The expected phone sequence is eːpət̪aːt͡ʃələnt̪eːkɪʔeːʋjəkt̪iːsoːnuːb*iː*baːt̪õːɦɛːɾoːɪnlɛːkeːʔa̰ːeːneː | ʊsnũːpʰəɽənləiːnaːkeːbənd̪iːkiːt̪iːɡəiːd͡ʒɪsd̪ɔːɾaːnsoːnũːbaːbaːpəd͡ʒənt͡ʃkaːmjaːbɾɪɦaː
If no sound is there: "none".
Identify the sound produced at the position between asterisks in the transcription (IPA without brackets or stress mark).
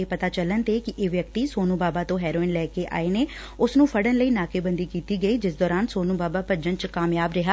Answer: aː